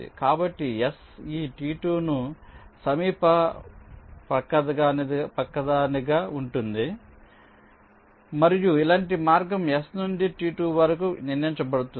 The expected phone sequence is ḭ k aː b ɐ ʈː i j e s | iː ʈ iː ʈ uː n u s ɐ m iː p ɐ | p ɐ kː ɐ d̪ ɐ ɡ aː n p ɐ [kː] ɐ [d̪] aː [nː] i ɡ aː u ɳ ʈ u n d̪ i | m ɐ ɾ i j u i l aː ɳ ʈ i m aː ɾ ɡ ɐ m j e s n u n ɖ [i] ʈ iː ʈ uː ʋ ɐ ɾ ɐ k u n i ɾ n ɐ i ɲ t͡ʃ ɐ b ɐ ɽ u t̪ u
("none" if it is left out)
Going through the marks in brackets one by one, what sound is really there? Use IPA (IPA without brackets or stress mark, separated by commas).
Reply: kː, d̪, n, i